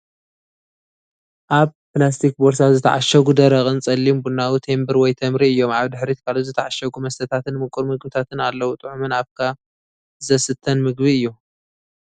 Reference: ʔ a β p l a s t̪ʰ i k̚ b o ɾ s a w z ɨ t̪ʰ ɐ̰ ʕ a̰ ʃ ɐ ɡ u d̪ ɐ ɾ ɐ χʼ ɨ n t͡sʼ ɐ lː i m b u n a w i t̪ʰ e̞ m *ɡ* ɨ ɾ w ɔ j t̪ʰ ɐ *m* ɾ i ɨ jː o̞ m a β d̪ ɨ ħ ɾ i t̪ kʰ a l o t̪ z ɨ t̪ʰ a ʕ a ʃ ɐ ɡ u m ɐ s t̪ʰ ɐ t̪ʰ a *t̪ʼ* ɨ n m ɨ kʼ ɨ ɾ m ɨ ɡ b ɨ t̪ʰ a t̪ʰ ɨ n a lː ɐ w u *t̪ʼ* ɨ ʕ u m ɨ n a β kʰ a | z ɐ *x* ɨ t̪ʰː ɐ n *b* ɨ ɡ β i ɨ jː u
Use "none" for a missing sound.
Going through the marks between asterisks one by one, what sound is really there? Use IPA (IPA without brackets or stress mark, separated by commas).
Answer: b, m, t̪, t̪ʼ, s, m